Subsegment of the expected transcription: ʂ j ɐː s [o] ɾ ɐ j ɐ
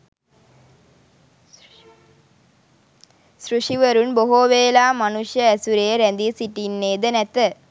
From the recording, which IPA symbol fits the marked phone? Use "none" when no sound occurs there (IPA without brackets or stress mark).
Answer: u